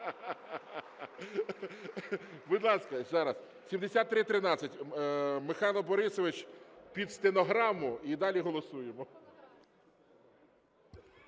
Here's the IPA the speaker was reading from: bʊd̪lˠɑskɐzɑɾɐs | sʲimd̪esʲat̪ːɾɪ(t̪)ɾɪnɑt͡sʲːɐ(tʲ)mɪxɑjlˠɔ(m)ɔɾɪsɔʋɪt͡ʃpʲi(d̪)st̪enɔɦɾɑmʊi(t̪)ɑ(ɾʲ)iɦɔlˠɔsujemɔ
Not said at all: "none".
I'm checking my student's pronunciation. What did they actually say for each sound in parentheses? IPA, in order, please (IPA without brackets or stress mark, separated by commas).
t̪, tʲ, b, d̪, d̪, lʲ